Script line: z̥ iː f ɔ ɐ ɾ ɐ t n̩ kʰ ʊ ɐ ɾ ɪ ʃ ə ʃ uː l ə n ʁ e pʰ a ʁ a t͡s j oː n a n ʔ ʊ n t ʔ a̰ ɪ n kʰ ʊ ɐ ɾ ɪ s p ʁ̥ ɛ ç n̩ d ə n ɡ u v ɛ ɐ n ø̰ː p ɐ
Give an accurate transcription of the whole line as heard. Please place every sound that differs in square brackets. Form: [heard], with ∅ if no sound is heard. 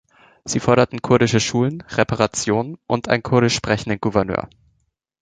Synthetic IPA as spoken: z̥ iː f ɔ ɐ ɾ ɐ t n̩ kʰ ʊ ɐ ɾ ɪ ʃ ə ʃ uː l ə n ʁ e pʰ a ʁ a t͡s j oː n [ə] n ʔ ʊ n t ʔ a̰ ɪ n kʰ ʊ ɐ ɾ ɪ [ʃ] p ʁ̥ ɛ ç n̩ d ə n ɡ u v ɛ ɐ n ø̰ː [∅] ɐ